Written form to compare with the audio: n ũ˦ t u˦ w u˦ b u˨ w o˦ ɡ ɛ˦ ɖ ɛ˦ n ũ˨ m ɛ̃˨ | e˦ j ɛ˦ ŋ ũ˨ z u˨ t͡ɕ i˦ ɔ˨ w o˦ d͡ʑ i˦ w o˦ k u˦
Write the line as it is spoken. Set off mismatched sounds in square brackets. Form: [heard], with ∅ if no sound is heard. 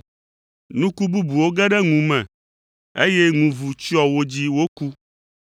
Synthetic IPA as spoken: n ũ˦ [k] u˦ [b] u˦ b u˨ w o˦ ɡ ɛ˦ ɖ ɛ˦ [ŋ] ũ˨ m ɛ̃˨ | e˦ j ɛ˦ ŋ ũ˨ [v] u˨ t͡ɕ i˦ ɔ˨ w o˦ d͡ʑ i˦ w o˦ k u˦